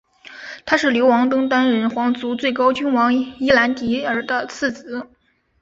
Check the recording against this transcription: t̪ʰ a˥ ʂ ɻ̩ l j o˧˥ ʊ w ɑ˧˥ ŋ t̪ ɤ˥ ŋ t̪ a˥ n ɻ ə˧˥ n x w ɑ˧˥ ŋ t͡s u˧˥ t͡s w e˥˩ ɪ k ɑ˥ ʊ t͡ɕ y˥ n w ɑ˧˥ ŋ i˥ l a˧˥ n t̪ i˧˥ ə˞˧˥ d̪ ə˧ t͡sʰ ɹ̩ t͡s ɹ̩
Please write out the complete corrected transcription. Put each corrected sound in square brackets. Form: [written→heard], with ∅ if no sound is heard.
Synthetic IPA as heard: t̪ʰ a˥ ʂ ɻ̩ l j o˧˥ ʊ w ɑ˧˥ ŋ t̪ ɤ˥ ŋ t̪ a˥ n ɻ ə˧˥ n x w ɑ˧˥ ŋ t͡s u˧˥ t͡s w e˥˩ ɪ k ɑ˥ ʊ t͡ɕ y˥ n w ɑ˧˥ ŋ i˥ l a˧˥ n t̪ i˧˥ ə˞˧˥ d̪ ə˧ t͡sʰ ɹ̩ t͡s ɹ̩